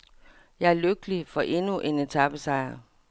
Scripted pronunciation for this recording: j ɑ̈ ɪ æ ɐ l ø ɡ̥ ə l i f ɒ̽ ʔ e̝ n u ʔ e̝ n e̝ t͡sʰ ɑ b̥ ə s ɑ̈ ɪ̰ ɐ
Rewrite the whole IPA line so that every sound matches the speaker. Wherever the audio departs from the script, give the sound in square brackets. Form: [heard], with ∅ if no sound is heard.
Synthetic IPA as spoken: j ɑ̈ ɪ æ ɐ l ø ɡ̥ ə l i f ɒ̽ ʔ e̝ n u ʔ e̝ n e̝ t͡sʰ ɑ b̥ ə s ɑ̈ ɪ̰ ɐ